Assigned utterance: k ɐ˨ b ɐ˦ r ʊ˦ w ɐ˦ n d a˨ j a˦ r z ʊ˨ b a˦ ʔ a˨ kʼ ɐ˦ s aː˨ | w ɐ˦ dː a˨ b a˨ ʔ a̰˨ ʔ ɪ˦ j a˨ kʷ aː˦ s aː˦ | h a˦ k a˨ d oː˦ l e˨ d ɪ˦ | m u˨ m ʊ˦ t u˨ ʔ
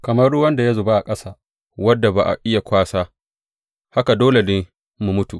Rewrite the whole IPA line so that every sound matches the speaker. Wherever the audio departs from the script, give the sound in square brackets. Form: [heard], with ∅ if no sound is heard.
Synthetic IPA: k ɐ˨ [m] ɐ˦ r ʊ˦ w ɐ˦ n d a˨ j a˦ [∅] z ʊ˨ b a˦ ʔ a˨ kʼ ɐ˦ s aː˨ | w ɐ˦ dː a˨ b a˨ ʔ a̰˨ ʔ ɪ˦ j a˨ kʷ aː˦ s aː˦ | h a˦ k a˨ d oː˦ l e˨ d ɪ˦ | m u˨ m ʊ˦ t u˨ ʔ